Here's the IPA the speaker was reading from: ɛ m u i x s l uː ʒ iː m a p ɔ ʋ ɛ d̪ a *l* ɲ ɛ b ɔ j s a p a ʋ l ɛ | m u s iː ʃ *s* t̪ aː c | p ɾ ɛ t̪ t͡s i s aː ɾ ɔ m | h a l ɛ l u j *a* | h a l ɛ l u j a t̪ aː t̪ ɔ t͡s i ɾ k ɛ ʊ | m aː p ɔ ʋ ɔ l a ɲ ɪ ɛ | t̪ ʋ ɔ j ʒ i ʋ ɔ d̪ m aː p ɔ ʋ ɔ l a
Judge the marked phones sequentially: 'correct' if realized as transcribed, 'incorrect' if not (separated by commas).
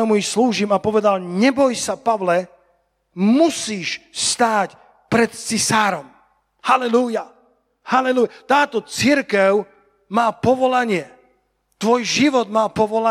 correct, correct, correct